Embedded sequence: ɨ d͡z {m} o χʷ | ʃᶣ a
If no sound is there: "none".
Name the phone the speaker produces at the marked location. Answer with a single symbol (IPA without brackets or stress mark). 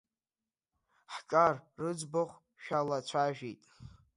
b